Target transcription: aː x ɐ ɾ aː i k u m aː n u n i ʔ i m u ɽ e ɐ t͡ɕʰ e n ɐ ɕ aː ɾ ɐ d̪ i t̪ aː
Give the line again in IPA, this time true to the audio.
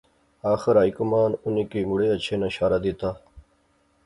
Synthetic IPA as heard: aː x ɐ ɾ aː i k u m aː n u n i k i m u ɽ e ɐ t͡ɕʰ e n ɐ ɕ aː ɾ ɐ d̪ i t̪ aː